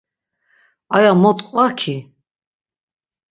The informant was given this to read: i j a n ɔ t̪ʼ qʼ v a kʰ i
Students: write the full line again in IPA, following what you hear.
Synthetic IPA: a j a m ɔ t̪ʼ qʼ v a kʰ i